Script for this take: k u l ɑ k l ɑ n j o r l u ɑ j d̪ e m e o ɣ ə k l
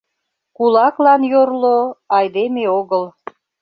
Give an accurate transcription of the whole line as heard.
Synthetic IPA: k u l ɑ k l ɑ n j o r l o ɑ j d̪ e m e o ɣ ə l

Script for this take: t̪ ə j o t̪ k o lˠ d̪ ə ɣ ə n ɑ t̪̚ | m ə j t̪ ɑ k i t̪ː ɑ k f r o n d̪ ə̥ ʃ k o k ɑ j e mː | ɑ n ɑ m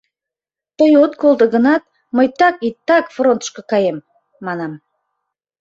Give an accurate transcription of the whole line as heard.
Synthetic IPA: t̪ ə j o t̪ k o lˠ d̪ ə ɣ ə n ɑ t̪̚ | m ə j t̪ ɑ k i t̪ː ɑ k f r o n t̪ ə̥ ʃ k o k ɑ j e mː | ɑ n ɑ m

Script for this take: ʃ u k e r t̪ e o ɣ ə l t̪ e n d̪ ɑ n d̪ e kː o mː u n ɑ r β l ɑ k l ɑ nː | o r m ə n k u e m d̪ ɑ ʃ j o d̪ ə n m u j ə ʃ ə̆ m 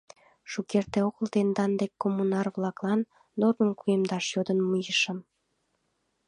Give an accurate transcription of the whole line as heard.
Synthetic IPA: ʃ u k e r t̪ e o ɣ ə l t̪ e n d̪ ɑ n d̪ e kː o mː u n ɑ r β l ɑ k l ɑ nː | o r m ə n k u e m d̪ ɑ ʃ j o d̪ ə n m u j ə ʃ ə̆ m

